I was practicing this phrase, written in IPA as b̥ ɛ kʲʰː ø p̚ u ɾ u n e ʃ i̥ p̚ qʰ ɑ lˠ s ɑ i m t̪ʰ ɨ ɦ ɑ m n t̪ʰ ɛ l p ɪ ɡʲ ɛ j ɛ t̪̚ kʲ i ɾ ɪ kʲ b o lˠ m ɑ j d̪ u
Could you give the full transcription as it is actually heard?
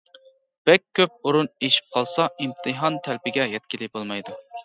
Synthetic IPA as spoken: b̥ ɛ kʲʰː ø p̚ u ɾ u n e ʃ i̥ p̚ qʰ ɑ lˠ s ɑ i m t̪ʰ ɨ ɦ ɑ n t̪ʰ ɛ l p ɪ ɡʲ ɛ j ɛ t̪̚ kʲ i l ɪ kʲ b o lˠ m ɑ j d̪ u